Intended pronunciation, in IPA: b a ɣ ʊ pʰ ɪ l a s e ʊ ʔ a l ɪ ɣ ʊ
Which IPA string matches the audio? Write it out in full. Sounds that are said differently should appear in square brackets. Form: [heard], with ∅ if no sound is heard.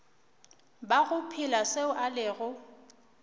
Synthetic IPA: b a ɣ ʊ pʰ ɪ l a s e ʊ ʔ a l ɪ ɣ ʊ